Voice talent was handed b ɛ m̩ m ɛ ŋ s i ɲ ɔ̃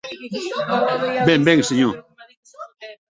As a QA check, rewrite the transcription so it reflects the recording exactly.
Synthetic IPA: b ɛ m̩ b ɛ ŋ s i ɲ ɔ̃